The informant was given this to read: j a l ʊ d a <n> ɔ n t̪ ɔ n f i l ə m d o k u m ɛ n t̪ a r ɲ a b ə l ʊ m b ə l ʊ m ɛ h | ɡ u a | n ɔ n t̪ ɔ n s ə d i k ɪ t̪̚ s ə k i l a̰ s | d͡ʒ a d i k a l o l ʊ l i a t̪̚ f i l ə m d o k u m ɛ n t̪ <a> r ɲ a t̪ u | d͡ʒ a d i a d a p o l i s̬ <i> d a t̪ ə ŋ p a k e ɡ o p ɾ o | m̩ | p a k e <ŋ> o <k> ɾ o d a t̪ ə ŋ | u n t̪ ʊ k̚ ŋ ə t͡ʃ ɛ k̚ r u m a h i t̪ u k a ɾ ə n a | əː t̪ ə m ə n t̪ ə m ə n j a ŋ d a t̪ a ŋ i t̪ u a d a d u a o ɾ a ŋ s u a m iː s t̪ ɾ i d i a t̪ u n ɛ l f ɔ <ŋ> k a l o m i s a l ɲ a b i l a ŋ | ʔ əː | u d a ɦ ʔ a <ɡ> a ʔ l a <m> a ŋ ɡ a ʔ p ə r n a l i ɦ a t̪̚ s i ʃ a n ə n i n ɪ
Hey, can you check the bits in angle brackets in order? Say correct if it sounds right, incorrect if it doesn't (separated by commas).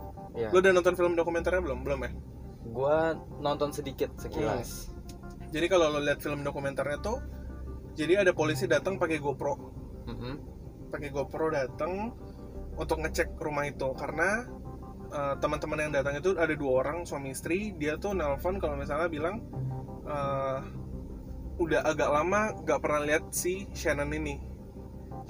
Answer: correct, correct, correct, incorrect, incorrect, incorrect, correct, correct